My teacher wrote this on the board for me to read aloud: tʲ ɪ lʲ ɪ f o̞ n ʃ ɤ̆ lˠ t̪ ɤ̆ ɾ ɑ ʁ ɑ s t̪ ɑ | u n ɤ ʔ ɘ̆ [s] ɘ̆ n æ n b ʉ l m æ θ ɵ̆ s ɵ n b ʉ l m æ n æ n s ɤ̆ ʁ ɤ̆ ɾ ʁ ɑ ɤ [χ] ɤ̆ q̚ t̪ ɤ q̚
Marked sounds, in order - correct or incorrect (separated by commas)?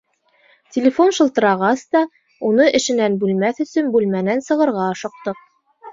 incorrect, incorrect